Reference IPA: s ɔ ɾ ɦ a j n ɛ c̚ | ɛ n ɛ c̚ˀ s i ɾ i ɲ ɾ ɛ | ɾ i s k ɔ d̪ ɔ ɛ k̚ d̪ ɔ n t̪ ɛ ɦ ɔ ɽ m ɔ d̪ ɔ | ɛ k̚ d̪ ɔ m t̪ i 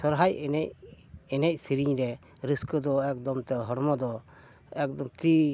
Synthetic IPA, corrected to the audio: s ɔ ɾ ɦ a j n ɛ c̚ | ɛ n ɛ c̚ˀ s i ɾ i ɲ ɾ ɛ | ɾ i s k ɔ d̪ ɔ ɛ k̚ d̪ ɔ m t̪ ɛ ɦ ɔ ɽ m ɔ d̪ ɔ | ɛ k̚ d̪ ɔ m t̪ i